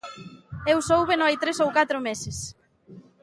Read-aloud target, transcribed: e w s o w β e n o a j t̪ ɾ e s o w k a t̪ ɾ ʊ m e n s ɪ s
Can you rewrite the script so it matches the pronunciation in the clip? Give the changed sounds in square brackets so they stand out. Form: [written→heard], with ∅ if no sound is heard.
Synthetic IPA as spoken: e w s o w β e n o a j t̪ ɾ e s o w k a t̪ ɾ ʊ m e [n→∅] s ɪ s